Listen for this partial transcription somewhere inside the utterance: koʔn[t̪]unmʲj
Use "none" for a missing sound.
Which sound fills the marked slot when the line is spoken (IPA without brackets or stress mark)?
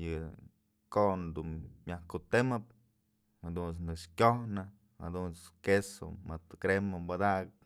d̪